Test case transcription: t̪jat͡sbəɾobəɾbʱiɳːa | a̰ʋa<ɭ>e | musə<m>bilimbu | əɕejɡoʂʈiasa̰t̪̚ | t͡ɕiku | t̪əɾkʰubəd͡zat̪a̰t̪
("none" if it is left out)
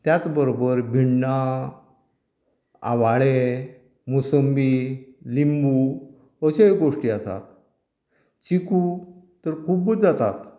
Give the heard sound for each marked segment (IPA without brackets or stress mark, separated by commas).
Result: ɭ, m